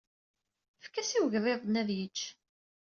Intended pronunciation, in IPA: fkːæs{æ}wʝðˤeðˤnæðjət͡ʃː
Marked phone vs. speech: incorrect: i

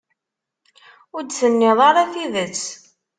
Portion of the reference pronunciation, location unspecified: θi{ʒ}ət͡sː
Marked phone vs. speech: incorrect: ð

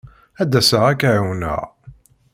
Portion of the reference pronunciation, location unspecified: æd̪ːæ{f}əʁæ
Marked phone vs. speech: incorrect: s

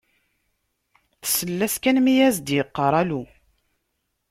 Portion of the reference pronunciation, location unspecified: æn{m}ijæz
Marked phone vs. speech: correct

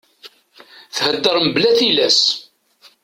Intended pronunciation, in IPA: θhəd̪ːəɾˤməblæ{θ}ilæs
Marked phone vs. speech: correct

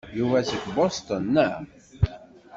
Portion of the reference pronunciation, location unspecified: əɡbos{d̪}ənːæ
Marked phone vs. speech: incorrect: t̪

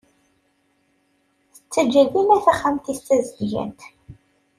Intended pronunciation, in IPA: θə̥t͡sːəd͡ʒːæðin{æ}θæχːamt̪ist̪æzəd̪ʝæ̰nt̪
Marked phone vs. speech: correct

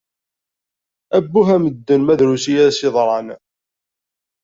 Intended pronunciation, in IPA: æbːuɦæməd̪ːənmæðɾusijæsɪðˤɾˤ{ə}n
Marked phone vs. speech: incorrect: ɑ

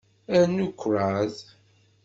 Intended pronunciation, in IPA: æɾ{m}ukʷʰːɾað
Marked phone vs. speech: incorrect: n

